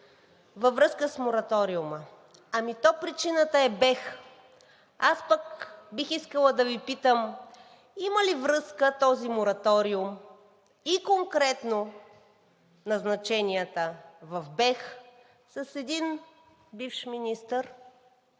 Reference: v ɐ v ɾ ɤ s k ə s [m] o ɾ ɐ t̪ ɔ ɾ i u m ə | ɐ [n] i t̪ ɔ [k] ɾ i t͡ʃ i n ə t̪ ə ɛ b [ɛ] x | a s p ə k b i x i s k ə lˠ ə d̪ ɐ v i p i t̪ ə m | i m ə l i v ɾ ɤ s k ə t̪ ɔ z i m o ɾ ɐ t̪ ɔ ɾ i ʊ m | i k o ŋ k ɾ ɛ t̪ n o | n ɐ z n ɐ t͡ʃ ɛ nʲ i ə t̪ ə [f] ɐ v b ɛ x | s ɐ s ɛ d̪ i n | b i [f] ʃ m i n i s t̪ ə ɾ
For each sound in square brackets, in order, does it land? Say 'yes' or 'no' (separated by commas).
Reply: yes, no, no, yes, no, yes